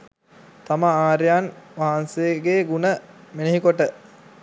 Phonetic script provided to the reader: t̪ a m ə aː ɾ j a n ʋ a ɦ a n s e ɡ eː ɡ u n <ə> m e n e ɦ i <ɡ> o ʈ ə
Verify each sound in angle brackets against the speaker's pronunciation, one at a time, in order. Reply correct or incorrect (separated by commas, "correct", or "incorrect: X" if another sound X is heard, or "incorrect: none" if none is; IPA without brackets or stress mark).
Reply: correct, incorrect: k